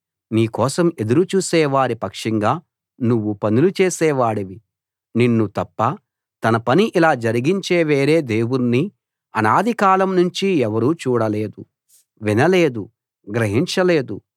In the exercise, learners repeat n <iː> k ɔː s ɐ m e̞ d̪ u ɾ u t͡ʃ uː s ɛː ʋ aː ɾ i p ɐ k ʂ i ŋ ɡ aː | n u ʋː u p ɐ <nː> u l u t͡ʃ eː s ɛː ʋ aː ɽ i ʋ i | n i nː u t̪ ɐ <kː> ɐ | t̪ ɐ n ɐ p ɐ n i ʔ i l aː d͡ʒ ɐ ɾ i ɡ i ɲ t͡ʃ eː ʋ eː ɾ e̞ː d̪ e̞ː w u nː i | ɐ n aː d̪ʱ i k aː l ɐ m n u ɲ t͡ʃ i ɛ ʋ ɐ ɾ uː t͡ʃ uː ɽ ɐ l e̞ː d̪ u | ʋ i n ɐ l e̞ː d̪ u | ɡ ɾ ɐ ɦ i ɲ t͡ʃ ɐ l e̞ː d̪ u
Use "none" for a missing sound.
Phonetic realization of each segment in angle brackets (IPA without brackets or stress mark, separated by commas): iː, n, pː